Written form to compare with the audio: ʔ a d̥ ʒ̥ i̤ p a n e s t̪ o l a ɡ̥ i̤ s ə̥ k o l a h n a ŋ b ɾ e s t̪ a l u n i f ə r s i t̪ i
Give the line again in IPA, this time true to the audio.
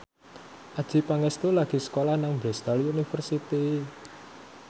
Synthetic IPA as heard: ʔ a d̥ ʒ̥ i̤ p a ŋ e s t̪ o l a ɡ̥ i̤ s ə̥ k o l a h n a ŋ b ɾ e s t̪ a l u n i f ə r s i t̪ i

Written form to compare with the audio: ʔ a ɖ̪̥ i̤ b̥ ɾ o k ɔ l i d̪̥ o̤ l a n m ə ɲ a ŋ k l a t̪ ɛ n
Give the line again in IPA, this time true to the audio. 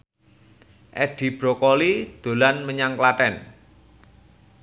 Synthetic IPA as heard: ʔ ɛ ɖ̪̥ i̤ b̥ ɾ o k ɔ l i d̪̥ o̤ l a n m ə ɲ a ŋ k l a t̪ ɛ n

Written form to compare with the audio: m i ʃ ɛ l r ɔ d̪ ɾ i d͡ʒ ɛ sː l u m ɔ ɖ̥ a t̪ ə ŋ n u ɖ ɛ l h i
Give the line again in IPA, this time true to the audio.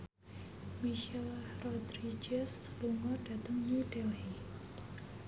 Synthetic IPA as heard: m i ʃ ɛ l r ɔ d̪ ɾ i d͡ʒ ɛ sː l u ŋ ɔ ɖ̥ a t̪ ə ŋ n u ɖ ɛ l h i

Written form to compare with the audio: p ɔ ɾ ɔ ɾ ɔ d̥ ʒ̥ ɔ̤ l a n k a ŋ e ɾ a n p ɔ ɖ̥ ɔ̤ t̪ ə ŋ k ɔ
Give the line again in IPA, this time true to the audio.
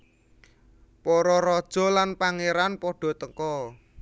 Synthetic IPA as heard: p ɔ ɾ ɔ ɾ ɔ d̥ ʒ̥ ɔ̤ l a n p a ŋ e ɾ a n p ɔ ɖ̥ ɔ̤ t̪ ə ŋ k ɔ

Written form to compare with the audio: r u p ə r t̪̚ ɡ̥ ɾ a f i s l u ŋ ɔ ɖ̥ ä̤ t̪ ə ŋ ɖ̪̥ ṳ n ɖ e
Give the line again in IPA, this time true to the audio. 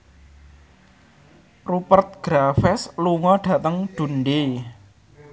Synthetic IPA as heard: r u p ə r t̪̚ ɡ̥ ɾ a f ɛ s l u ŋ ɔ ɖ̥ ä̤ t̪ ə ŋ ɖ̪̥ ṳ n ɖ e

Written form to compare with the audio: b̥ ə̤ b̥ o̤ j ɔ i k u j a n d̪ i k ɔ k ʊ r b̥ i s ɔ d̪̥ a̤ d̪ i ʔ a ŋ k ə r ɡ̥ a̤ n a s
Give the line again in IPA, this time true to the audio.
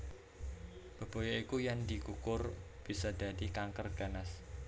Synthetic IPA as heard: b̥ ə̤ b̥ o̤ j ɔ i k u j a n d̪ i k u k ʊ r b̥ i s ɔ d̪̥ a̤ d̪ i k a ŋ k ə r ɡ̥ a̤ n a s

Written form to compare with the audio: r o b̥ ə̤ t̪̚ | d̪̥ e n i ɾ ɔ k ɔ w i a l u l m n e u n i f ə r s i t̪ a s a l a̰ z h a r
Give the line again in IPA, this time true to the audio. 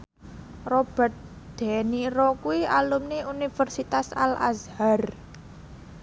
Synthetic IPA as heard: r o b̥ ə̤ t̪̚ | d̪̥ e n i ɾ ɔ k u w i a l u m n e u n i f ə r s i t̪ a s a l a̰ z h a r

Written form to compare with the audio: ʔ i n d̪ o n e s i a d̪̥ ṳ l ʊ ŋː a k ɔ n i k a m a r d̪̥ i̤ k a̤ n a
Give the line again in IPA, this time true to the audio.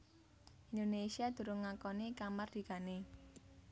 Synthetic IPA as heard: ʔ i n d̪ o n e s i a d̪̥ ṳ ɾ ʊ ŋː a k ɔ n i k a m a r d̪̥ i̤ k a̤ n e

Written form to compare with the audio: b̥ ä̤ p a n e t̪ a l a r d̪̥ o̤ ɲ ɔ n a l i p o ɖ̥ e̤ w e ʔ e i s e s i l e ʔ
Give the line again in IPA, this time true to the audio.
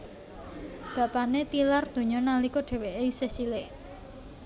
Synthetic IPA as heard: b̥ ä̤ p a n e t̪ i l a r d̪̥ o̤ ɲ ɔ n a l i k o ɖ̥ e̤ w e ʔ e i s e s i l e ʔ

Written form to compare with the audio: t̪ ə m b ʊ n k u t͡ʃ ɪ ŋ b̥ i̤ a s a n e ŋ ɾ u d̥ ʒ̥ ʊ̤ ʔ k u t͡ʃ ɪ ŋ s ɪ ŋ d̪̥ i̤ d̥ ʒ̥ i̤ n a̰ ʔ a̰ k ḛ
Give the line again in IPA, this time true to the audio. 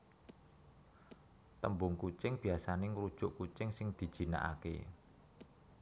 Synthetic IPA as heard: t̪ ə m b ʊ ŋ k u t͡ʃ ɪ ŋ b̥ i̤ a s a n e ŋ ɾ u d̥ ʒ̥ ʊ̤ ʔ k u t͡ʃ ɪ ŋ s ɪ ŋ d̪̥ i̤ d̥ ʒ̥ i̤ n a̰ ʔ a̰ k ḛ

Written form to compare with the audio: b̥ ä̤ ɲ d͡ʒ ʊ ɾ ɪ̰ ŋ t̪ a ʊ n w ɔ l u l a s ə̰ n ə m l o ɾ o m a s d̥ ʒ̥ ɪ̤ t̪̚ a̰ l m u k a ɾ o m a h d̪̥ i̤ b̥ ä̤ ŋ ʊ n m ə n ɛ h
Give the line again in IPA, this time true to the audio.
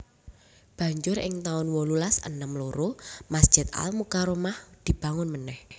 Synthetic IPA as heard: b̥ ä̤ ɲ d͡ʒ ʊ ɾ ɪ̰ ŋ t̪ a ʊ n w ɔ l u l a s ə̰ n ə m l o ɾ o m a s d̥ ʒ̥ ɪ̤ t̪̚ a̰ l m u k a ɾ o m a h d̪̥ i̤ b̥ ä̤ ŋ ʊ n m ə n ɛ h

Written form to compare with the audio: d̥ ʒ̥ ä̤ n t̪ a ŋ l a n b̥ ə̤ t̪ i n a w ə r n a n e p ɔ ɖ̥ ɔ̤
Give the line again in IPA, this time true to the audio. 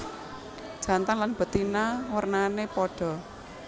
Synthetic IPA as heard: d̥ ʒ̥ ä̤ n t̪ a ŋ l a n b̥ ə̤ t̪ i n a w ə r n a n e p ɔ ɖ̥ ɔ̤

